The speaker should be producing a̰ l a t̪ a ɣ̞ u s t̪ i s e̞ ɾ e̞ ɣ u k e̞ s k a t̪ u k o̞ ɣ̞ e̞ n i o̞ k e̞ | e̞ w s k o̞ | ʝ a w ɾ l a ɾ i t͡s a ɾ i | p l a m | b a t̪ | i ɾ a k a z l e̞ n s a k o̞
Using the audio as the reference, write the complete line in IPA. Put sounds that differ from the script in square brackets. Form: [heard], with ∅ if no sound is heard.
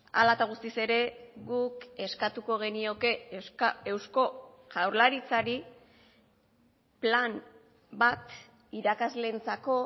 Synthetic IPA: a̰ l a t̪ a ɣ̞ u s t̪ i s e̞ ɾ e̞ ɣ u k e̞ s k a t̪ u k o̞ ɣ̞ e̞ n i o̞ k e̞ | e̞ w s k o̞ | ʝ a w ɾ l a ɾ i t͡s a ɾ i | p l a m | b a t̪ | i ɾ a k a z l e̞ n [t͡s] a k o̞